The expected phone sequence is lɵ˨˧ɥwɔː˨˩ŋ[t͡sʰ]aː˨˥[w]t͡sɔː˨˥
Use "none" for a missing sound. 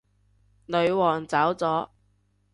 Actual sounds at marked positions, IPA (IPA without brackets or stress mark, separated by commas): t͡s, w